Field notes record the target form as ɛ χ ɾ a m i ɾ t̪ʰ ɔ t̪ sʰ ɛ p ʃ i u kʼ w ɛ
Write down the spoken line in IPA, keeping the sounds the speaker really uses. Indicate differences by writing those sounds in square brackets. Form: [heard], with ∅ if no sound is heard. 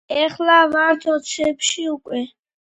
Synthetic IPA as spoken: ɛ χ [l] a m [a] ɾ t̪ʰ ɔ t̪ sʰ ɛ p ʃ i u kʼ w ɛ